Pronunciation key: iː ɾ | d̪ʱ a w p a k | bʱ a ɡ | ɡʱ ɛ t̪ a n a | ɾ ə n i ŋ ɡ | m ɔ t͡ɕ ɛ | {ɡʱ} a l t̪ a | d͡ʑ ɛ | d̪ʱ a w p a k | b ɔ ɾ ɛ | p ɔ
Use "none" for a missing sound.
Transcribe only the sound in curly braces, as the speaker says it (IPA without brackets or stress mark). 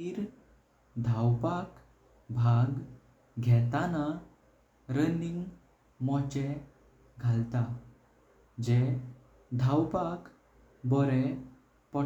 ɡʱ